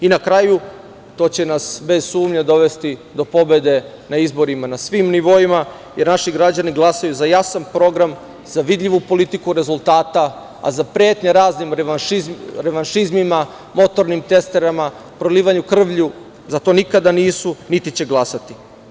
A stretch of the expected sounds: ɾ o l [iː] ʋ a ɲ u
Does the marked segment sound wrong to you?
no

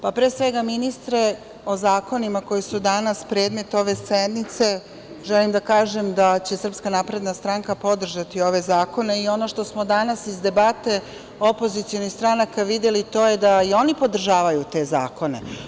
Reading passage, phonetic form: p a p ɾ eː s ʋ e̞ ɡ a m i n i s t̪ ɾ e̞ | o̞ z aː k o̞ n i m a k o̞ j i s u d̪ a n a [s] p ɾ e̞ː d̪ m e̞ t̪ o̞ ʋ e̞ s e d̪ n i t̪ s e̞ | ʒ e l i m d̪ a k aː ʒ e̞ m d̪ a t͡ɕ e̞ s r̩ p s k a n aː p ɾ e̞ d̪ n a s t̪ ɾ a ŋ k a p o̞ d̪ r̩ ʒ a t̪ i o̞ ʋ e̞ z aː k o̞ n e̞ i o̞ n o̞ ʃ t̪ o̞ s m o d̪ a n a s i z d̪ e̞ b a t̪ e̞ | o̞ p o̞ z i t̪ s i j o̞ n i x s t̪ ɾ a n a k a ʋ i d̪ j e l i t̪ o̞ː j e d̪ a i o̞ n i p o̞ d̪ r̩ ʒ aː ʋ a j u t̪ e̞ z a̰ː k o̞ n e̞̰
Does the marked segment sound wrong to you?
no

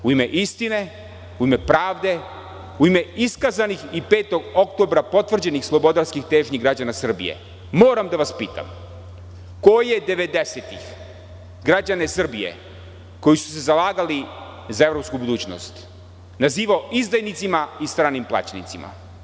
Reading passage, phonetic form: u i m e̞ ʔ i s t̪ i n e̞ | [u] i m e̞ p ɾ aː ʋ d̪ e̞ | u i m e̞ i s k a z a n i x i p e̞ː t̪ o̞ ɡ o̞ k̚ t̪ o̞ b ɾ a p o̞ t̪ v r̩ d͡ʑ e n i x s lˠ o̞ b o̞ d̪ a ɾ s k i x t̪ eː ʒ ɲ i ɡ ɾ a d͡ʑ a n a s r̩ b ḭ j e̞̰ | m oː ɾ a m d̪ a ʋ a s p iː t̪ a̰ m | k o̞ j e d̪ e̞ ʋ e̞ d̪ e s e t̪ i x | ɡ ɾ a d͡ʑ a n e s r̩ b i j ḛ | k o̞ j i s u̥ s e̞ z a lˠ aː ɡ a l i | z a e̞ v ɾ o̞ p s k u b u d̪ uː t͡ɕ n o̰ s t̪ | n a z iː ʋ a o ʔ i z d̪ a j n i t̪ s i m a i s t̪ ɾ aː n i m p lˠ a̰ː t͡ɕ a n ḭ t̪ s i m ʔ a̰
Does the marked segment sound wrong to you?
no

